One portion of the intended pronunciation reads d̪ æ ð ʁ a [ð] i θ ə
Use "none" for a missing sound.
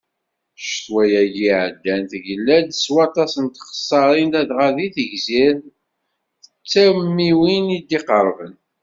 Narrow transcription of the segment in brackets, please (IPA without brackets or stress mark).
ð